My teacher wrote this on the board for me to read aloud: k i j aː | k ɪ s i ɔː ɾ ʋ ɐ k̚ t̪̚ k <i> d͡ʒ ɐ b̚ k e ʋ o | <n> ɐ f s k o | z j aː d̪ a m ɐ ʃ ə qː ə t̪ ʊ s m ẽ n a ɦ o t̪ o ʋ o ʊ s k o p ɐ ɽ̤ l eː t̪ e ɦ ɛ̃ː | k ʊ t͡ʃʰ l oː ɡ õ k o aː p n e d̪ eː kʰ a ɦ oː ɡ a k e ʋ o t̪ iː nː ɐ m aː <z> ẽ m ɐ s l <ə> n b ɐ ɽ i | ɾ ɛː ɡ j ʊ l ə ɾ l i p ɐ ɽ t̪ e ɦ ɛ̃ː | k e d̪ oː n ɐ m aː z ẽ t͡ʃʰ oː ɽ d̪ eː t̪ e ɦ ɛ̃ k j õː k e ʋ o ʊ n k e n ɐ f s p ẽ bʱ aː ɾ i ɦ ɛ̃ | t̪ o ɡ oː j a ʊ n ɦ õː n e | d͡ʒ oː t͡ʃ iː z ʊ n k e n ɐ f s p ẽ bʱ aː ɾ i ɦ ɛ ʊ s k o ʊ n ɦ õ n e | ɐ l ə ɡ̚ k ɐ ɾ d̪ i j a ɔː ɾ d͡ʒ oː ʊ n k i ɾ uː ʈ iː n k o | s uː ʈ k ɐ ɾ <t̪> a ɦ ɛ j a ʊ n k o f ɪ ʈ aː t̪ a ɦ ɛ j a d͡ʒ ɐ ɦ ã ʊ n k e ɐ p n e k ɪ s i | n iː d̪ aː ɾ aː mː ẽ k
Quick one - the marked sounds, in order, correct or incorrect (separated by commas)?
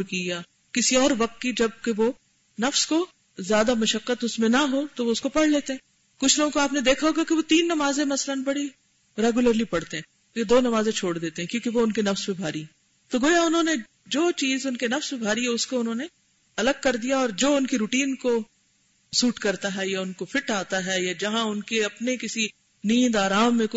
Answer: correct, correct, correct, correct, correct